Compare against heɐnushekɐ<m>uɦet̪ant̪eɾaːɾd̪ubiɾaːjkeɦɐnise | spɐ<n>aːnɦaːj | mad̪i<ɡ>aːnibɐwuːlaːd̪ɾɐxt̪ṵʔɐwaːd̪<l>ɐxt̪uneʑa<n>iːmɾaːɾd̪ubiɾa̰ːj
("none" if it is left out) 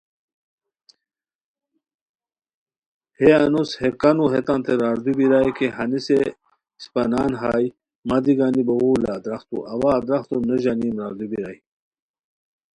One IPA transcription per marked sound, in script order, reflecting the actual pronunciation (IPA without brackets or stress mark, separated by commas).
n, n, ɡ, ɾ, n